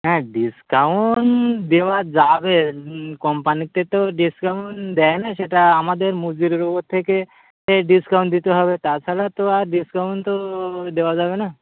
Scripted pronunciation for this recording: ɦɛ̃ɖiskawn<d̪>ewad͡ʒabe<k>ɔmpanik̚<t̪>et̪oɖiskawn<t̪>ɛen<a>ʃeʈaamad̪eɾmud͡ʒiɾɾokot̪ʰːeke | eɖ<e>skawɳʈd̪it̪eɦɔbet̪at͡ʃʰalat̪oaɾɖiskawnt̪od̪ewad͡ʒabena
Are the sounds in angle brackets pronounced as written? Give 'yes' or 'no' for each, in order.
yes, yes, yes, no, yes, no

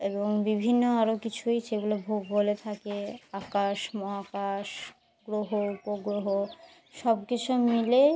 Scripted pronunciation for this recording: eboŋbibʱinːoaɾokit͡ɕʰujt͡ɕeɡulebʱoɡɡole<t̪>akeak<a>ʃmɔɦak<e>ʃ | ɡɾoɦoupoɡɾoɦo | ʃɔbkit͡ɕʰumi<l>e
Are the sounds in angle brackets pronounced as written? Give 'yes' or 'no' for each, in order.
no, yes, no, yes

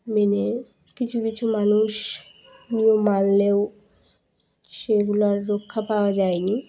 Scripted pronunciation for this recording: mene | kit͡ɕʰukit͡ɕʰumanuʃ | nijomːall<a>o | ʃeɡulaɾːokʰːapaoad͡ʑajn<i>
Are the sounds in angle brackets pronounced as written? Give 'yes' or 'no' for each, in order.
no, yes

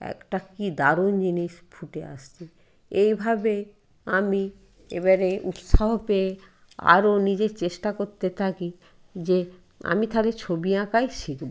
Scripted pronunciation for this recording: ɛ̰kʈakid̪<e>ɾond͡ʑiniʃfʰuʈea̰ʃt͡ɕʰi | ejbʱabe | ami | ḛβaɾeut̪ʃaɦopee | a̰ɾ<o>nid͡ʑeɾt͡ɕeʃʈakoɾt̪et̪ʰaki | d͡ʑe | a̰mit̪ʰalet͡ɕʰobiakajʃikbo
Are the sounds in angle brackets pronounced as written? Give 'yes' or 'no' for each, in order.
no, yes

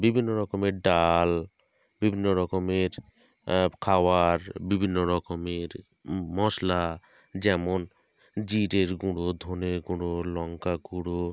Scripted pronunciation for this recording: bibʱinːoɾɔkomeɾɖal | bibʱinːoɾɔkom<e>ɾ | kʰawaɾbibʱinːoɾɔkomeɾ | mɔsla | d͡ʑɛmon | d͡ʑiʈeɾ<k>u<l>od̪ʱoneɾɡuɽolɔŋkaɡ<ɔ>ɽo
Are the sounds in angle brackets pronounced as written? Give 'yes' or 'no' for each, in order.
yes, no, no, no

